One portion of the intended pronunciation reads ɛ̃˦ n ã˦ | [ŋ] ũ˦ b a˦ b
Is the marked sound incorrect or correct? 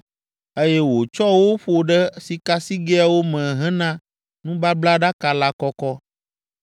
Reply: incorrect